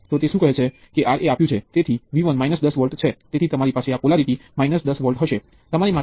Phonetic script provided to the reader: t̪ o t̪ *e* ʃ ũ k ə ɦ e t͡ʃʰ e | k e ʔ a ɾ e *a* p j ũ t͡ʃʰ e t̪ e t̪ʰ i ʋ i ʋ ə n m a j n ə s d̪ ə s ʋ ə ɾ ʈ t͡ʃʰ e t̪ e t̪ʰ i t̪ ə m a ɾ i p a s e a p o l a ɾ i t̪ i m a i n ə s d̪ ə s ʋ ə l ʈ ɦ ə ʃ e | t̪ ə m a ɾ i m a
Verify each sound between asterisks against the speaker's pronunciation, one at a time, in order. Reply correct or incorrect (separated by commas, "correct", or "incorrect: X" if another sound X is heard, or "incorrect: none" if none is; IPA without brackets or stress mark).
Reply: correct, correct